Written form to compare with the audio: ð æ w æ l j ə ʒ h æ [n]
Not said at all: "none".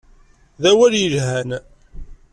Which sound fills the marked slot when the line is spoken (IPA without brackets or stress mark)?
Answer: n